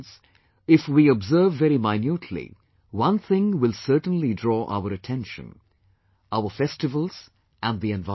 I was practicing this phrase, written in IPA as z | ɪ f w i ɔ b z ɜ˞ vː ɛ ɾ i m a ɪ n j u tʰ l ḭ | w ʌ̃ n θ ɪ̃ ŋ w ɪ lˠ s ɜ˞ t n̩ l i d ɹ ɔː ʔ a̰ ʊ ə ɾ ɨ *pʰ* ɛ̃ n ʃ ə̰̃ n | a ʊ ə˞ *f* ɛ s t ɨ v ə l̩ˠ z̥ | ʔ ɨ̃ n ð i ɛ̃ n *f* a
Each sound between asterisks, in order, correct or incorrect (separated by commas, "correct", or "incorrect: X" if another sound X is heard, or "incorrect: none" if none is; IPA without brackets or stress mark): incorrect: tʰ, correct, incorrect: v